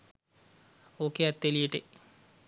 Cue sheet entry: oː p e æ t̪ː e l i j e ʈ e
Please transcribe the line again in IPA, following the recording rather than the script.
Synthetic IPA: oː k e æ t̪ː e l i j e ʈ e